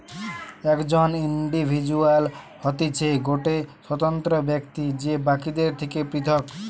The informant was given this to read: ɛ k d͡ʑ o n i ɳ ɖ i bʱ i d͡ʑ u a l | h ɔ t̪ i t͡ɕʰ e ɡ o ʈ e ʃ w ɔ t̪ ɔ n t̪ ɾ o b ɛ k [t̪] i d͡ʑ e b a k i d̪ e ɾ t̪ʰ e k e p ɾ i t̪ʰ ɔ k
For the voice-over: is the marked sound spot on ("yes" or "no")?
yes